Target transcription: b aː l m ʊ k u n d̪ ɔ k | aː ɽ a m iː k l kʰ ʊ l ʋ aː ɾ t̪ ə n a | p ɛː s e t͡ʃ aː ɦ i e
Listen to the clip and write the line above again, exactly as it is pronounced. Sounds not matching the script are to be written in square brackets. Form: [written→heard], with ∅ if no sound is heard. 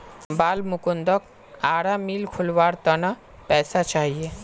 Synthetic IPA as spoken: b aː l m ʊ k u n d̪ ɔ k | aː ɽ a m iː [k→∅] l kʰ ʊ l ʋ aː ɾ t̪ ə n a | p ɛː s [e→a] t͡ʃ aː ɦ i e